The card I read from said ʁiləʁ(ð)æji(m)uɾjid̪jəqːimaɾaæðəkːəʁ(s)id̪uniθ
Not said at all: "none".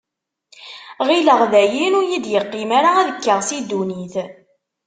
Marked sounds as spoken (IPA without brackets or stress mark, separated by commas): ð, n, s